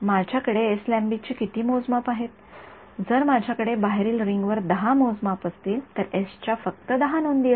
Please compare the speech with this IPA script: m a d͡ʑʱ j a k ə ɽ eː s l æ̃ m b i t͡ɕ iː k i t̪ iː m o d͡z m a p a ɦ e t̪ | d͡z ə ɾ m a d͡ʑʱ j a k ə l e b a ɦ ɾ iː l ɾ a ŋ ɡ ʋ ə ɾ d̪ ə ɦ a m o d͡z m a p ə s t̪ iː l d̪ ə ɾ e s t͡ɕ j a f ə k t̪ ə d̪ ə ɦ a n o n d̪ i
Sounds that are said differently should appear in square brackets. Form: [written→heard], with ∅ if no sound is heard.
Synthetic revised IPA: m a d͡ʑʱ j a k ə ɽ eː s l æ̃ m b i t͡ɕ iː k i t̪ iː m o d͡z m a p a ɦ e t̪ | d͡z ə ɾ m a d͡ʑʱ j a k ə [l→ɽ] e b a ɦ ɾ iː l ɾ [a→i] ŋ ɡ ʋ ə ɾ d̪ ə ɦ a m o d͡z m a p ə s t̪ iː l [d̪→t̪] ə ɾ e s t͡ɕ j a f ə k t̪ ə d̪ ə ɦ a n o n d̪ i